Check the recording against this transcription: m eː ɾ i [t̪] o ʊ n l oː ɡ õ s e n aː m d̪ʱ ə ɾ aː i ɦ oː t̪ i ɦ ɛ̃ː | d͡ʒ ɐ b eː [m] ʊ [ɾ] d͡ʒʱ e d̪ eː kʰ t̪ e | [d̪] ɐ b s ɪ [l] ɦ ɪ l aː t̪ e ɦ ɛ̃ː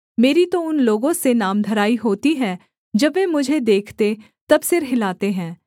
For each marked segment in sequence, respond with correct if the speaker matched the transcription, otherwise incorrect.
correct, correct, incorrect: none, incorrect: t̪, incorrect: ɾ

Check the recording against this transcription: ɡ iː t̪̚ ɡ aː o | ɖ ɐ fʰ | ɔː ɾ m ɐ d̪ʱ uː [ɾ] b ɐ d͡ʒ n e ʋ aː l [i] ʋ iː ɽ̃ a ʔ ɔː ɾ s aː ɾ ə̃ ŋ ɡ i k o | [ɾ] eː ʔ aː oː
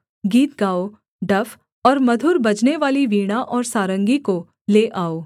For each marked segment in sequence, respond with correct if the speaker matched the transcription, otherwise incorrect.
correct, correct, incorrect: l

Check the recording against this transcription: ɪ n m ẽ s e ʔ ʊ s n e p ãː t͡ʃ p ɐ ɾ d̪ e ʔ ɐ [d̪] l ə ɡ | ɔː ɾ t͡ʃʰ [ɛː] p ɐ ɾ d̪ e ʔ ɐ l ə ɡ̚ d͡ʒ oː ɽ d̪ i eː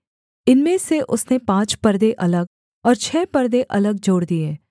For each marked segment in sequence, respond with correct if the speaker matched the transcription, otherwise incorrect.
incorrect: none, correct

